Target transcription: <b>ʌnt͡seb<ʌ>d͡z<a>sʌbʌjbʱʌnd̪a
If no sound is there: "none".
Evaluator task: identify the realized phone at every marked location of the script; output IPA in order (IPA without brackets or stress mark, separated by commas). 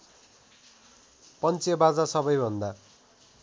p, a, a